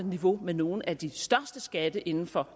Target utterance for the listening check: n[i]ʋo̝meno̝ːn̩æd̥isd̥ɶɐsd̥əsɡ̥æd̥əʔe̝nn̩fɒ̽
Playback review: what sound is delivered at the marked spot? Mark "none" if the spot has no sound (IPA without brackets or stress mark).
i